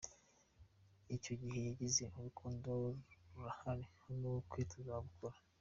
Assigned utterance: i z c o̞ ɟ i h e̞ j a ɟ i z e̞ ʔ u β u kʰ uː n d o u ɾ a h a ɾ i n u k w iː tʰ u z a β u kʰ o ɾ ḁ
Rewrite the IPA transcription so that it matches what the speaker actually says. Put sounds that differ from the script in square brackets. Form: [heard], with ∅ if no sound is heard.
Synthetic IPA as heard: i [∅] c o̞ ɟ i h e̞ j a ɟ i z e̞ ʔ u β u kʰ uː n d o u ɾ a h a ɾ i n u k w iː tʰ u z a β u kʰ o ɾ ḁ